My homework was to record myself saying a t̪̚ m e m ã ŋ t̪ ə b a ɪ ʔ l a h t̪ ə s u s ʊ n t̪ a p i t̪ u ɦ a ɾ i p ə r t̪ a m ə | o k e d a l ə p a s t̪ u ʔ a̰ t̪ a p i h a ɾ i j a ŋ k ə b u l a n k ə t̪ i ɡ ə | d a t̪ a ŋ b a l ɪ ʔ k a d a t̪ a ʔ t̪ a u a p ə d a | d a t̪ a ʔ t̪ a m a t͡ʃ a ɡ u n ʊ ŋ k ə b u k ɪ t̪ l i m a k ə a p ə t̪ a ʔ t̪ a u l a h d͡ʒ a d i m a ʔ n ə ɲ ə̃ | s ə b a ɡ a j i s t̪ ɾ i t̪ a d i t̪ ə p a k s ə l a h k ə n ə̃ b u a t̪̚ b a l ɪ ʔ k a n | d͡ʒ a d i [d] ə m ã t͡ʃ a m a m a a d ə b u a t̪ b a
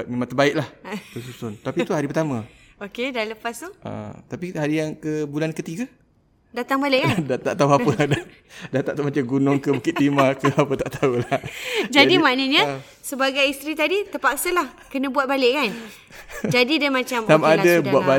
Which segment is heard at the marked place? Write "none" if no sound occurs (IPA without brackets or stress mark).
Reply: d